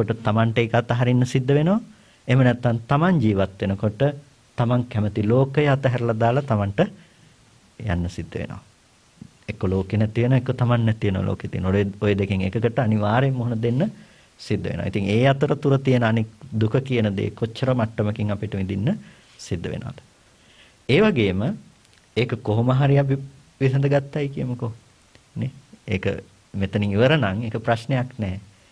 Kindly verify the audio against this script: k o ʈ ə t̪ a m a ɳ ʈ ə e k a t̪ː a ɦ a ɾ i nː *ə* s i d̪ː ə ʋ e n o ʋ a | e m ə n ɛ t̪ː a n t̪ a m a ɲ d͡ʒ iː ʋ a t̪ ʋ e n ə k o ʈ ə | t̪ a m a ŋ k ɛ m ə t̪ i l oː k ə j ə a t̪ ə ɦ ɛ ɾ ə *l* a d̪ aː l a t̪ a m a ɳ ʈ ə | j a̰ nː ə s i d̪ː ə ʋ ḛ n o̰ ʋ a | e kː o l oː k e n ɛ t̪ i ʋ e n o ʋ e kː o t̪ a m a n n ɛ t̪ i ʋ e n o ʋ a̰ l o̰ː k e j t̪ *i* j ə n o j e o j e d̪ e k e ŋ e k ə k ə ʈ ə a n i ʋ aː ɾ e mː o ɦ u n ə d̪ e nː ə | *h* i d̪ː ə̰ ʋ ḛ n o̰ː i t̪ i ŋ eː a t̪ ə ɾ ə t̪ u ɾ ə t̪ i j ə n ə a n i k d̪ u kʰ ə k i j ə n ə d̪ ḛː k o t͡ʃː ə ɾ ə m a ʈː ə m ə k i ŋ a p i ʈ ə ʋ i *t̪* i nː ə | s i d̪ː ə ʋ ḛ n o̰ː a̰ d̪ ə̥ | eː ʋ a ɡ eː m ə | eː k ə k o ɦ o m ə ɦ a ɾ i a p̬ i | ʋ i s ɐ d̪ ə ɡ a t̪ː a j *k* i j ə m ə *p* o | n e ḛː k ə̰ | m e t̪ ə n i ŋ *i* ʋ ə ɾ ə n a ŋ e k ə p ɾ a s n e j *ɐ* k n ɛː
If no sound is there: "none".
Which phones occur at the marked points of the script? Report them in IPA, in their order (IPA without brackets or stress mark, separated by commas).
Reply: ə, l, i, s, d̪, k, k, i, a